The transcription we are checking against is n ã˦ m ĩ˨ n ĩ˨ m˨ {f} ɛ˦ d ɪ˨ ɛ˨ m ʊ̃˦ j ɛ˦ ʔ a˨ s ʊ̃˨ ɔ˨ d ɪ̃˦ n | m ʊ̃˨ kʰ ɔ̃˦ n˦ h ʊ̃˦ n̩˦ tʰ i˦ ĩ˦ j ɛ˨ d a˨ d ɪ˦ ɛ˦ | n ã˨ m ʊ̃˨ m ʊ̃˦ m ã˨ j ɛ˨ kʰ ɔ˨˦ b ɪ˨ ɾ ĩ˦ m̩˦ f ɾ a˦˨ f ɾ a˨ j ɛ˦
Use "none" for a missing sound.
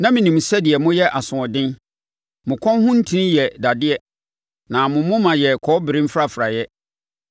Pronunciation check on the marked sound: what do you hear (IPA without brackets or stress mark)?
s